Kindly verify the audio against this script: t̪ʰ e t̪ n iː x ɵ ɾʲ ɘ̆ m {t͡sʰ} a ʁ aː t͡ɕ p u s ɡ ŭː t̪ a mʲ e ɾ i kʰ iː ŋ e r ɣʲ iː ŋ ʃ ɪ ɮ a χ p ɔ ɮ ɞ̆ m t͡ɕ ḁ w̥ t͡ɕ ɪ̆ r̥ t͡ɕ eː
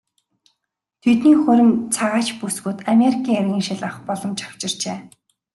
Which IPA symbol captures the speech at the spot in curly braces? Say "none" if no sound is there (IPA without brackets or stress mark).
t͡sʰ